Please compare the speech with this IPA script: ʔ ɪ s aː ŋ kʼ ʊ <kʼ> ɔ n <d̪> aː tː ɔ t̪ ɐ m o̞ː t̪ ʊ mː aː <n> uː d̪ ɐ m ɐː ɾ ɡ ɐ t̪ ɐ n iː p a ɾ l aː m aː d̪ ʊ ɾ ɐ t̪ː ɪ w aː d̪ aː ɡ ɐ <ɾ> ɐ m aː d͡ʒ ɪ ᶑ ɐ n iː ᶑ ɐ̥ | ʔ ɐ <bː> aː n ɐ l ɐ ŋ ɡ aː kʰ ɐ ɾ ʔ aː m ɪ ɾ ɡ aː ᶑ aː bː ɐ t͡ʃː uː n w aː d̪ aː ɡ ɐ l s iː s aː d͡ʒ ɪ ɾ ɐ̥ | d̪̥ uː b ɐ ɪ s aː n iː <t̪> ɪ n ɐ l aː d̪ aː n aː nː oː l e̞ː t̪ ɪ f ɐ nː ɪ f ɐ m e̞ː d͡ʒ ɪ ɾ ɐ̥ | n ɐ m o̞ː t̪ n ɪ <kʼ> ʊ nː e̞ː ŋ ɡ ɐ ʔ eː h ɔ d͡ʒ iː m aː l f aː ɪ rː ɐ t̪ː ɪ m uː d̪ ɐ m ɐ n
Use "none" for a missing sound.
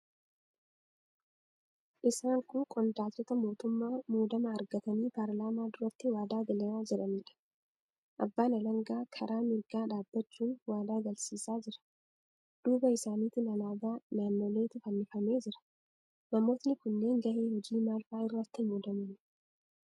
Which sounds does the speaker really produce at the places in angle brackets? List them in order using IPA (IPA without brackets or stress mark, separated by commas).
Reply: kʼ, d̪, m, l, bː, t̪, k